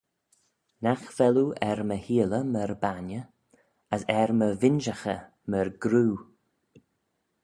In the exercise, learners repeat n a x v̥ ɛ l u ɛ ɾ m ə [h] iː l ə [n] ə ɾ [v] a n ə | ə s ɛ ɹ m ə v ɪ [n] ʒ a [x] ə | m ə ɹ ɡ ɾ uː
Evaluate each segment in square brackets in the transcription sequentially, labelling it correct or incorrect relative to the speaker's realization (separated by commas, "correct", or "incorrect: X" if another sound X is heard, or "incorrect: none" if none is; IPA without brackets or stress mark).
correct, incorrect: m, incorrect: b, correct, correct